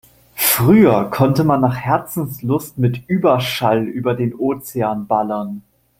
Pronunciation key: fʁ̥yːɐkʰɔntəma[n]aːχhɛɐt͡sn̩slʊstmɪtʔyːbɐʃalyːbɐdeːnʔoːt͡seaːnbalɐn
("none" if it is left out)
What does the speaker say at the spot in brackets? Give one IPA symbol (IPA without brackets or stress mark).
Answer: nː